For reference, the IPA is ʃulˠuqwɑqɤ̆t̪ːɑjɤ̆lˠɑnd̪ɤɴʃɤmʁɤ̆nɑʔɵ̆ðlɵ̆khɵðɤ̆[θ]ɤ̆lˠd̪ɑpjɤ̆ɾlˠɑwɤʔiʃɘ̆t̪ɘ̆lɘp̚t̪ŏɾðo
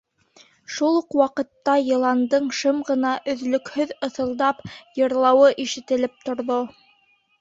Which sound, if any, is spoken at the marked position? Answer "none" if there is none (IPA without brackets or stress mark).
θ